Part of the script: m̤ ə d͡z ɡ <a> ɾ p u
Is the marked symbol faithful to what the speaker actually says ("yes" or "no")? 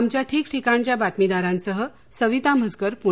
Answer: no